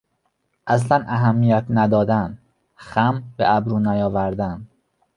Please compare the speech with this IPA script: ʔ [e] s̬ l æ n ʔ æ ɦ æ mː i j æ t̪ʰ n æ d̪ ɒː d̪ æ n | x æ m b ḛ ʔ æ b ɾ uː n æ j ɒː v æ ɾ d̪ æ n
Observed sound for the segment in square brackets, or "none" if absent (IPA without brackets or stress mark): æ